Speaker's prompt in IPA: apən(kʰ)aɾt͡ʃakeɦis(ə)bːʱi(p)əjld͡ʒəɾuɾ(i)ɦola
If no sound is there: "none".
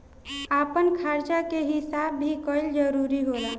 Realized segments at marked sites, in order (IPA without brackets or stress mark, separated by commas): kʰ, a, k, i